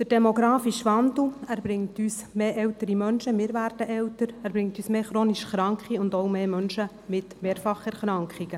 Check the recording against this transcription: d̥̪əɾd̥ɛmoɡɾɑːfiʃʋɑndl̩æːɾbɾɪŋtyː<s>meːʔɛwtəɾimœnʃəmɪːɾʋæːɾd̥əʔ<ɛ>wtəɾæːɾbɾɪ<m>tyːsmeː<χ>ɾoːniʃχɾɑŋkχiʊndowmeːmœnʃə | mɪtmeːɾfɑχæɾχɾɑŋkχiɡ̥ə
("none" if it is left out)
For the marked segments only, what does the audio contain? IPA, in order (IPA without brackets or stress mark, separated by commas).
s, ɛ, ŋ, χ